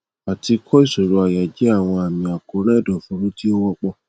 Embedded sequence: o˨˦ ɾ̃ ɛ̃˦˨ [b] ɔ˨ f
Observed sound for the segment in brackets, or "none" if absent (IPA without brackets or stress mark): d